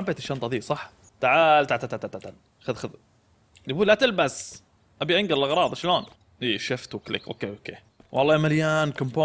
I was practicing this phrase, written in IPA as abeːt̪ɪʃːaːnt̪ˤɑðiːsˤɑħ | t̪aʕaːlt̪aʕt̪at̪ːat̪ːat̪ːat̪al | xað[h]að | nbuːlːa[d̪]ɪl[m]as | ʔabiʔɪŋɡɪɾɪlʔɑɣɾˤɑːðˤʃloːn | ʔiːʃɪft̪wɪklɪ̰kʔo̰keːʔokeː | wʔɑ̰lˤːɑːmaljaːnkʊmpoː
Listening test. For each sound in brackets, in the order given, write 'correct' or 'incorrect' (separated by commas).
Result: incorrect, incorrect, incorrect